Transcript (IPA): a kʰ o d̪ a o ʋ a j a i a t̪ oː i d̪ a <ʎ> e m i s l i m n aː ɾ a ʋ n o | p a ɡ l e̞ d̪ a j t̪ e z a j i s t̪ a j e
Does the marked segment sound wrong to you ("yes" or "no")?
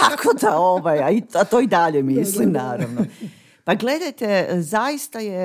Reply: no